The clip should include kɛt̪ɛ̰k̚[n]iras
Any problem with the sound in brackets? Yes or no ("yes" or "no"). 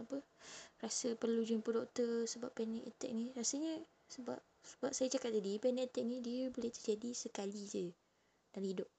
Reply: no